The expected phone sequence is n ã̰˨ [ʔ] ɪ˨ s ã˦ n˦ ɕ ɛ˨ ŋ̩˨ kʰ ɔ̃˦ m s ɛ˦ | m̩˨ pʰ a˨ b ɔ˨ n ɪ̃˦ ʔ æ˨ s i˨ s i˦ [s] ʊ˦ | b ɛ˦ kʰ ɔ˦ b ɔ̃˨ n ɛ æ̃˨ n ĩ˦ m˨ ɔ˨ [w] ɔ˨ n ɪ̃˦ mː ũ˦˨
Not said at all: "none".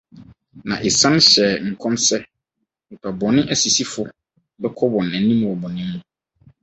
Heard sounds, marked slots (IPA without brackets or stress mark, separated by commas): ʔ, f, b